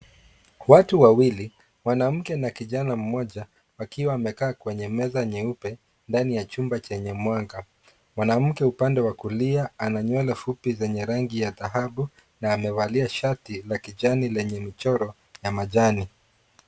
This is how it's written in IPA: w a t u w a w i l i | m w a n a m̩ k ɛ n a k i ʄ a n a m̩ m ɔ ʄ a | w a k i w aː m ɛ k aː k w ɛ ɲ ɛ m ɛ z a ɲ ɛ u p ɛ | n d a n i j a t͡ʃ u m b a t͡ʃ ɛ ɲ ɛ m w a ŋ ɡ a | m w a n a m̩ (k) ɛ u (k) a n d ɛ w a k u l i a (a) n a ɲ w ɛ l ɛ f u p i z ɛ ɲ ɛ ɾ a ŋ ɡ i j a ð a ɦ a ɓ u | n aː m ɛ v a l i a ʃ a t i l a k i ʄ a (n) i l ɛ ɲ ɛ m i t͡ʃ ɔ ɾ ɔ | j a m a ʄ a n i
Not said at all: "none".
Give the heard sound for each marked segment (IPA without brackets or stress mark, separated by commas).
k, p, a, n